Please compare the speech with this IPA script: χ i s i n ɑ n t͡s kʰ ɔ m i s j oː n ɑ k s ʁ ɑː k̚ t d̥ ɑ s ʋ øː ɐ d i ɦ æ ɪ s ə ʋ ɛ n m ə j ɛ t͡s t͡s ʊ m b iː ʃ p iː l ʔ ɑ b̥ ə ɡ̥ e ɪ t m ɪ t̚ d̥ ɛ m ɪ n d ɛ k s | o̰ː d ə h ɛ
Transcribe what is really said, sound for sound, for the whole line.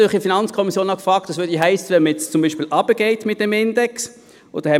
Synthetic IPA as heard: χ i f i n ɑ n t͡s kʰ ɔ m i s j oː n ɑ k f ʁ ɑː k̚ t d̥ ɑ s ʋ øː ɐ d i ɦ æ ɪ s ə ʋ ɛ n m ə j ɛ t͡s t͡s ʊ m b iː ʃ p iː l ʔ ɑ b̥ ə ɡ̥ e ɪ t m ɪ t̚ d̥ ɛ m ɪ n d ɛ k s | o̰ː d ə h ɛ